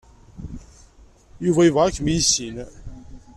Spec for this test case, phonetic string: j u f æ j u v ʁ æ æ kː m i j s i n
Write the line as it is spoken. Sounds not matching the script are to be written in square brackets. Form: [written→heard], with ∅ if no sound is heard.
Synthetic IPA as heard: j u [f→v] æ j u v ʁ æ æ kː m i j s i n